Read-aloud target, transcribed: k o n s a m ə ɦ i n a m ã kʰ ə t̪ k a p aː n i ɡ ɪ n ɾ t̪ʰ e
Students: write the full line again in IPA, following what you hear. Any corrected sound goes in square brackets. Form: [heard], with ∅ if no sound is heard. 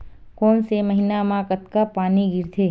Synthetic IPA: k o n s [e] m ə ɦ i n a m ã [k] ə t̪ k a p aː n i ɡ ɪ [∅] ɾ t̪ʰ e